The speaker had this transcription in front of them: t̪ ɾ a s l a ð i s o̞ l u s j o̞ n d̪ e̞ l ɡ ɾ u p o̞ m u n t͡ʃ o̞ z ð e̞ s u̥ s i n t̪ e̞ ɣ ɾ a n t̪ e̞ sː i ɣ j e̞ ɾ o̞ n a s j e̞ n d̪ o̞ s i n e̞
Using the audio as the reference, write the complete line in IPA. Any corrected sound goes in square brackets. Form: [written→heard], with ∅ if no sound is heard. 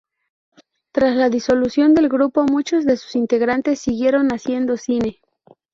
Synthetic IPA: t̪ ɾ a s l a ð i s o̞ l u s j o̞ n d̪ e̞ l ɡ ɾ u p o̞ m u [n→∅] t͡ʃ o̞ z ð e̞ s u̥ s i n t̪ e̞ ɣ ɾ a n t̪ e̞ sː i ɣ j e̞ ɾ o̞ n a s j e̞ n d̪ o̞ s i n e̞